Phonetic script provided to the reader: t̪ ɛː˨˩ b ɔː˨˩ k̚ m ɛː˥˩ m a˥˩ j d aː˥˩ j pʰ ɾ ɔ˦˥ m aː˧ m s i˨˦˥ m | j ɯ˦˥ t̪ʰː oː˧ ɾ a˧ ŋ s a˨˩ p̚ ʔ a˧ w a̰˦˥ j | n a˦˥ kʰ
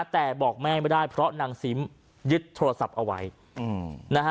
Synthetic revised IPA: t̪ ɛː˨˩ b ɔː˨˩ k̚ m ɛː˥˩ m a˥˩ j d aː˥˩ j pʰ ɾ ɔ˦˥ n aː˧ ŋ s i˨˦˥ m | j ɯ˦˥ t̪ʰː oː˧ ɾ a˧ s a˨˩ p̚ ʔ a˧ w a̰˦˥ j | n a˦˥ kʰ